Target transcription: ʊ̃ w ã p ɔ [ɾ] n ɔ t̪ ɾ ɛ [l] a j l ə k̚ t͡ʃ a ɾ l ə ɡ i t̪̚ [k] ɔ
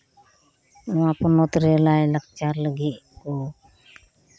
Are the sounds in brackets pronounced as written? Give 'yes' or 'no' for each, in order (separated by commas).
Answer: no, yes, yes